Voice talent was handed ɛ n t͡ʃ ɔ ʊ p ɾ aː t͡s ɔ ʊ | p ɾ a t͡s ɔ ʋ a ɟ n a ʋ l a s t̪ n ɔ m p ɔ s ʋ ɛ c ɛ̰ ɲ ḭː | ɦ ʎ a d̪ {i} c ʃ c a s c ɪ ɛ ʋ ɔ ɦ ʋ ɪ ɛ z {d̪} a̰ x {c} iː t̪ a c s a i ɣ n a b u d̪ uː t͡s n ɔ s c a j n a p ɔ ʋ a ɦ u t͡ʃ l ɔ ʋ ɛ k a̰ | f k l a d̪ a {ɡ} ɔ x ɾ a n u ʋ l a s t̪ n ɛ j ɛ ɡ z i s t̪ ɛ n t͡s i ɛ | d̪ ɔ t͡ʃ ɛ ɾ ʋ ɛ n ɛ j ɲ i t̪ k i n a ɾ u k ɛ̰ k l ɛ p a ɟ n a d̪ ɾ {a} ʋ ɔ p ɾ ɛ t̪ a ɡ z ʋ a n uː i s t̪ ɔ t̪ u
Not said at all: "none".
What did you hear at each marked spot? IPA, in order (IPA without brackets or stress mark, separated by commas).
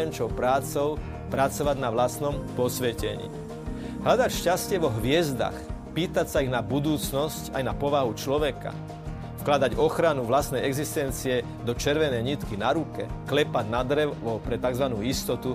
a, d̪, p, ɟ, ɛ